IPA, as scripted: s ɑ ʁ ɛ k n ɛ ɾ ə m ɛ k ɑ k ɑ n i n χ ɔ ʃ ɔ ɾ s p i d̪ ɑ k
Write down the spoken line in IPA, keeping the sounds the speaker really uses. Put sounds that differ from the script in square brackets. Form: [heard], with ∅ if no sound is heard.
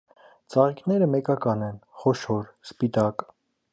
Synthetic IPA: [t͡s] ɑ ʁ [i] k n ɛ ɾ ə m ɛ k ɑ k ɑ n [ɛ] n χ ɔ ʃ ɔ ɾ s p i [t̪] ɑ k

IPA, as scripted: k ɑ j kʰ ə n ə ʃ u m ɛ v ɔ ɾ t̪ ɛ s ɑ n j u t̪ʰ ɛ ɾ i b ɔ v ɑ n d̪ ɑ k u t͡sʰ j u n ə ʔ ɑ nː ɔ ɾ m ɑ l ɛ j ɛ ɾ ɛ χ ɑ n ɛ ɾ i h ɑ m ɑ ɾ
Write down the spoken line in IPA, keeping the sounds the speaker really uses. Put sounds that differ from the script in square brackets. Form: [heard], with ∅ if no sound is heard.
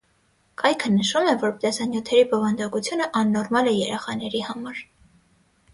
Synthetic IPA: k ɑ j kʰ ə n ə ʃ u m ɛ v ɔ ɾ t̪ ɛ s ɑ n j u t̪ʰ ɛ ɾ i b ɔ v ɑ n d̪ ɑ k u t͡sʰ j u n ə ʔ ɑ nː ɔ ɾ m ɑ l ɛ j ɛ ɾ ɛ χ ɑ n ɛ ɾ i h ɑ m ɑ ɾ

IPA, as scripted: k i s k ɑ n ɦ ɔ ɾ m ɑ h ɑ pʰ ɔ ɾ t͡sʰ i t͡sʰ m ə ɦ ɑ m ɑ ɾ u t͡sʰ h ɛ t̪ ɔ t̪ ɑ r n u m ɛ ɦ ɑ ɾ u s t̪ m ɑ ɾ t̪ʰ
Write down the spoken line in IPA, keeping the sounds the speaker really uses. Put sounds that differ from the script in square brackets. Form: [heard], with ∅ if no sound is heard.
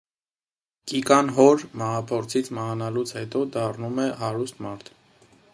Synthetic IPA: k i [∅] k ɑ n ɦ ɔ ɾ m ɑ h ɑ pʰ ɔ ɾ t͡sʰ i t͡sʰ m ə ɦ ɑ [n] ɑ [l] u t͡sʰ h ɛ t̪ ɔ [d̪] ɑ r n u m ɛ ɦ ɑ ɾ u s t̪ m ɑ ɾ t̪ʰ

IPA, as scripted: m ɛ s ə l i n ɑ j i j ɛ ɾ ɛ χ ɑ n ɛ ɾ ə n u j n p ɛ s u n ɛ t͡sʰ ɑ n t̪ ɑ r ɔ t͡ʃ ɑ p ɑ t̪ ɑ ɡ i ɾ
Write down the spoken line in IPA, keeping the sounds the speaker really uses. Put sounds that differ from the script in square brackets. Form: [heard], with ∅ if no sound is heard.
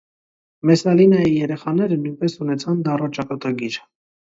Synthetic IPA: m ɛ s [ɑ] l i n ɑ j i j ɛ ɾ ɛ χ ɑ n ɛ ɾ ə n u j n p ɛ s u n ɛ t͡sʰ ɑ n [d̪] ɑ r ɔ t͡ʃ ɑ [k] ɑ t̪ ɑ ɡ i ɾ

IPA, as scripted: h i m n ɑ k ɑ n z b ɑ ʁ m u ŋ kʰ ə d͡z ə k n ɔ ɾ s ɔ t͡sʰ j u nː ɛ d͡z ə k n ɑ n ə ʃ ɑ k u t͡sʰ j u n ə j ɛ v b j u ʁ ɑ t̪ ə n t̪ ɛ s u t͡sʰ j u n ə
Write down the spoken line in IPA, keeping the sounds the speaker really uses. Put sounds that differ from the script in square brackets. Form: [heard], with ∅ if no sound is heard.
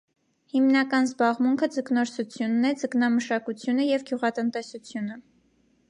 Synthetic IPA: h i m n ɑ k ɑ n z b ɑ ʁ m u ŋ kʰ ə d͡z ə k n ɔ ɾ s [u] t͡sʰ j u nː ɛ d͡z ə k n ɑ [m] ə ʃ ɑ k u t͡sʰ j u n ə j ɛ v [ɡ] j u ʁ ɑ t̪ ə n t̪ ɛ s u t͡sʰ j u n ə

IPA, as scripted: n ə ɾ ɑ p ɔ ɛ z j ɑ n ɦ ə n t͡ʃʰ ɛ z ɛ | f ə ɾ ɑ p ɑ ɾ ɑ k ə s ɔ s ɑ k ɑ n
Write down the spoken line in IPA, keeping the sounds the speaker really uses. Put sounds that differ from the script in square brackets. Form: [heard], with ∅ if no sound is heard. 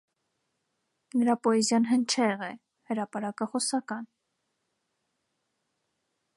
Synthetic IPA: n ə ɾ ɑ p ɔ ɛ z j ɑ n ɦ ə n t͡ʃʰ ɛ [ʁ] ɛ | [h] ə ɾ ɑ p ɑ ɾ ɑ k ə [χ] ɔ s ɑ k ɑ n

